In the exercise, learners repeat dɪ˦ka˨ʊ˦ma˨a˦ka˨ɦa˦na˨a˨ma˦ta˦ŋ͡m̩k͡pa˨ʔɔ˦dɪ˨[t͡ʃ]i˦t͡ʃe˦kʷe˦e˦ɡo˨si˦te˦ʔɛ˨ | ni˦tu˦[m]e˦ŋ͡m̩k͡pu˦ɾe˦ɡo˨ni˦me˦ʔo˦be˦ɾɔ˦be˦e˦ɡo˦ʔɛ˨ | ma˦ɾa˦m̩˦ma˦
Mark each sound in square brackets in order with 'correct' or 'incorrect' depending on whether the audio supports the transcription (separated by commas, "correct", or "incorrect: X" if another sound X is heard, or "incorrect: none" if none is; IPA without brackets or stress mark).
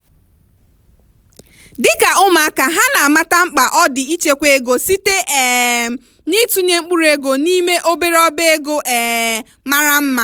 incorrect: none, incorrect: ɲ